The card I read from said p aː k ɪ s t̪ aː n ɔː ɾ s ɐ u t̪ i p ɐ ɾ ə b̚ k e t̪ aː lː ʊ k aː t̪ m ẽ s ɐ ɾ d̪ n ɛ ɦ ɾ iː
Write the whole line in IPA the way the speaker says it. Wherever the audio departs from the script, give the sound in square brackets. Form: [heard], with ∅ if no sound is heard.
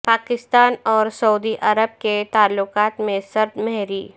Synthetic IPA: p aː k ɪ s t̪ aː n ɔː ɾ s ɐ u [d̪] i [ʔ] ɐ ɾ ə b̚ k e t̪ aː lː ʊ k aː t̪ m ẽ s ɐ ɾ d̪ [m] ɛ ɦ ɾ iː